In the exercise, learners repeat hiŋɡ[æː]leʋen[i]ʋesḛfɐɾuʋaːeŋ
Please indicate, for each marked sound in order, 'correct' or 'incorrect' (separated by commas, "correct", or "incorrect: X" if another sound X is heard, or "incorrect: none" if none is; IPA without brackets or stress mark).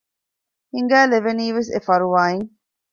correct, incorrect: iː